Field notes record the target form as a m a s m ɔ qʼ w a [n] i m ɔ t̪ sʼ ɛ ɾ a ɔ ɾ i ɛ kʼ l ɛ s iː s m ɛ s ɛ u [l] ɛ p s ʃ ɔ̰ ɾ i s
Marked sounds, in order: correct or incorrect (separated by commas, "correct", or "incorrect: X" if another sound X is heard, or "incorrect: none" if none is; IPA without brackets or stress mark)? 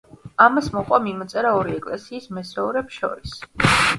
incorrect: m, incorrect: ɾ